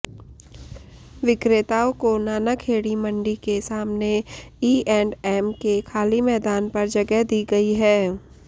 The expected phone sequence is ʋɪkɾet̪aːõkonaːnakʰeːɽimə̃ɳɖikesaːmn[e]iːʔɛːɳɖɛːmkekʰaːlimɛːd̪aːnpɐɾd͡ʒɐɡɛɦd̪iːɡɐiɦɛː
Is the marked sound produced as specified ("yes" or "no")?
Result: yes